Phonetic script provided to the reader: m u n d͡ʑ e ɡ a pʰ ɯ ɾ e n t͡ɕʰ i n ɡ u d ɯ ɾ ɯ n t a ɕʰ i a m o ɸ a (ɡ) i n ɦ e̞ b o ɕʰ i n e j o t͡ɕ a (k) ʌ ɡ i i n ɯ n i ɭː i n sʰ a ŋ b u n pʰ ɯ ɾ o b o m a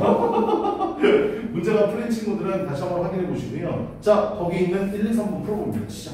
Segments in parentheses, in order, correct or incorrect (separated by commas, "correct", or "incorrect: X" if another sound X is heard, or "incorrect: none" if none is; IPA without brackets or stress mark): correct, correct